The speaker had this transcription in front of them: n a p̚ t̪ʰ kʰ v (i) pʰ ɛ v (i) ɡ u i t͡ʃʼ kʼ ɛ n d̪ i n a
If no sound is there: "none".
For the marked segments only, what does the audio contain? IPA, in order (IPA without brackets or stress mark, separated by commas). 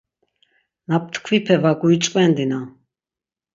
i, a